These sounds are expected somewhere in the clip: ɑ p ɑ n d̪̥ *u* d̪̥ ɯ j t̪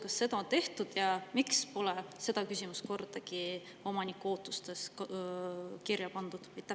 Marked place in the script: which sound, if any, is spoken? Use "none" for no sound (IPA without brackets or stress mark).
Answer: u